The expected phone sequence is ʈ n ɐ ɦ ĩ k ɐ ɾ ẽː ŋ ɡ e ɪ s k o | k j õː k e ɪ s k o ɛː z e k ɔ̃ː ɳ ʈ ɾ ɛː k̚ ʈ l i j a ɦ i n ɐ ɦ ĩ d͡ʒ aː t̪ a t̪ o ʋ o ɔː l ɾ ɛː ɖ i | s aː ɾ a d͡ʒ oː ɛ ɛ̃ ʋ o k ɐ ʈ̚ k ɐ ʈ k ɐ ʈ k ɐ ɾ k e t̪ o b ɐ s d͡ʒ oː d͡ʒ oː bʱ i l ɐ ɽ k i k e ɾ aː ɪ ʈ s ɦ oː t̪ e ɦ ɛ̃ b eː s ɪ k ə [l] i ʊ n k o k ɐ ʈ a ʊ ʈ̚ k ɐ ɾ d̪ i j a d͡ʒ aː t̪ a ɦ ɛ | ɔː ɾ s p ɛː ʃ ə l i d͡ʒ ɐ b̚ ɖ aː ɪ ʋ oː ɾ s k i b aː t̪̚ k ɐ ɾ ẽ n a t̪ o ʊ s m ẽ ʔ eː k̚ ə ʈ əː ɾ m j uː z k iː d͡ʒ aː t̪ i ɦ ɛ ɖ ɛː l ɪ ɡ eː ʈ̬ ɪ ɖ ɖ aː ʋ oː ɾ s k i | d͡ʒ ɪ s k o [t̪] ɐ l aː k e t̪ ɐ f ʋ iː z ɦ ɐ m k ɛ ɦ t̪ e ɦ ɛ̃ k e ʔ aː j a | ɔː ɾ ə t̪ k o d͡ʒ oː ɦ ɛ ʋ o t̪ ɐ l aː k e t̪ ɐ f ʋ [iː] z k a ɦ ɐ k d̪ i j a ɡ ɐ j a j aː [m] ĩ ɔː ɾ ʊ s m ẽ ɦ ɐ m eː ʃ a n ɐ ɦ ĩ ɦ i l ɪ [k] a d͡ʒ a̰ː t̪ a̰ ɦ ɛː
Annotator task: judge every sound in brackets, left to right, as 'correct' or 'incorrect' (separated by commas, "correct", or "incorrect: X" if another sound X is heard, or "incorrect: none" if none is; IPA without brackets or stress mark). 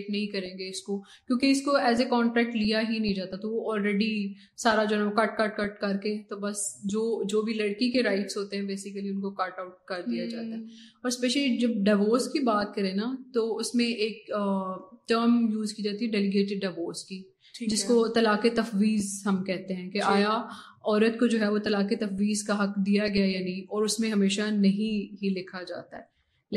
correct, correct, correct, incorrect: n, incorrect: kʰ